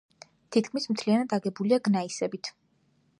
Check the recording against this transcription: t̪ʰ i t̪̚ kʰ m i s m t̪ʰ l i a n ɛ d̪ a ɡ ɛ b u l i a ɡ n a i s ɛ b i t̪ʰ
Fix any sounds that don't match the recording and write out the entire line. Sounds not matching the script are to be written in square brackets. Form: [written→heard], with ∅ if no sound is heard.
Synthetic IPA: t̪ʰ i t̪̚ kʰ m i s m t̪ʰ l i a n [ɛ→a] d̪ a ɡ ɛ b u l i a ɡ n a i s ɛ b i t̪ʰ